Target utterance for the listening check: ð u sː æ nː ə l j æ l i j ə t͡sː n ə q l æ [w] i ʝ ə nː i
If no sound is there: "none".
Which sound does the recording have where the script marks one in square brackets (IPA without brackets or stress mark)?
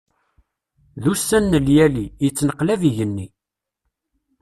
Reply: v